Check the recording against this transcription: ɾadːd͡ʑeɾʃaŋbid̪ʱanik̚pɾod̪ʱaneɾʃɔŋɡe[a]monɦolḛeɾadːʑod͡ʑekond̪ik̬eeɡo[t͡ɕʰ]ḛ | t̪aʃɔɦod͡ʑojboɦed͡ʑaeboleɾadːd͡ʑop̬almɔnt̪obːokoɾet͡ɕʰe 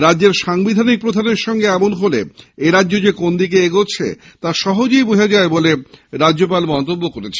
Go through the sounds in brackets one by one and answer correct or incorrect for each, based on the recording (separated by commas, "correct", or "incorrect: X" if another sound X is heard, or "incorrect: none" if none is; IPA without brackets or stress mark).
incorrect: ɛ, correct